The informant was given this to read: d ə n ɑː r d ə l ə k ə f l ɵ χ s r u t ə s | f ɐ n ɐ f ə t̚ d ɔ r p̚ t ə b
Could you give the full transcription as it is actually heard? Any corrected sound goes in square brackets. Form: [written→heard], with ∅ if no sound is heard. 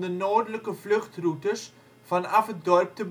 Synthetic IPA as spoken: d ə n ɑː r d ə l ə k ə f l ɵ χ [s→t] r u t ə s | f ɐ n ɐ f ə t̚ d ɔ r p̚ t ə b